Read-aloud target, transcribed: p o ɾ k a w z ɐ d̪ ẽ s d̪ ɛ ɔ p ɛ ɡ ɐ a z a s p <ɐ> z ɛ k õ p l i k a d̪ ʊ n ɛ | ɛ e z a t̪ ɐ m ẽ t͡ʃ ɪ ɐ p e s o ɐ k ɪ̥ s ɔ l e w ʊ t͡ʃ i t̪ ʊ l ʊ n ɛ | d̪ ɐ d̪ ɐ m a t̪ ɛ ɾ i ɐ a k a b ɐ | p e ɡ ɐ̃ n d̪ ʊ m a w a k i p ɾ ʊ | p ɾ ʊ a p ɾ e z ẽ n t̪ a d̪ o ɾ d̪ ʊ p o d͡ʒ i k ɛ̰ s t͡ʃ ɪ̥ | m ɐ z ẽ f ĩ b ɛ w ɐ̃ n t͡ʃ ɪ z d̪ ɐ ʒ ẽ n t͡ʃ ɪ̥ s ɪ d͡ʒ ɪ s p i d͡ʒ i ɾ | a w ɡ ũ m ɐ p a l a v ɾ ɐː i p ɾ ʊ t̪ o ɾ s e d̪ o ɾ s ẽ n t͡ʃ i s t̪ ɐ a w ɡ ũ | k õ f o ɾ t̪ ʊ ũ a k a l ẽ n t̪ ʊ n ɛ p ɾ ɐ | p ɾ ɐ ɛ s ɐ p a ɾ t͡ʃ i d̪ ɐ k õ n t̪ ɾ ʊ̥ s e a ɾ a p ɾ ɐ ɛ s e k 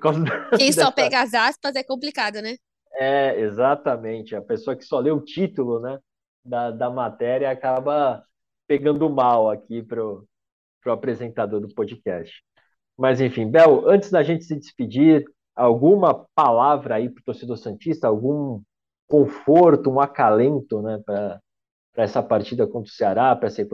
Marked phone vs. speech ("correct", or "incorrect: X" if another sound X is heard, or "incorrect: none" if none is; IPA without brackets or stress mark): correct